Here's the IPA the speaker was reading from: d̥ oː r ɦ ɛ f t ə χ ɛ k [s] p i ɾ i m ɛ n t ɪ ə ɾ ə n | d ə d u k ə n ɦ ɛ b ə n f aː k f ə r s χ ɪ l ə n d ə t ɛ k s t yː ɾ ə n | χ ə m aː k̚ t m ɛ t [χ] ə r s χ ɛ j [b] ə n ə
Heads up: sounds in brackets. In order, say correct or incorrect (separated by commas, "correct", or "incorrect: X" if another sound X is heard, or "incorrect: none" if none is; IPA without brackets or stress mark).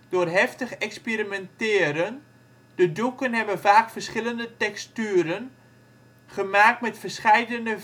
correct, incorrect: f, incorrect: d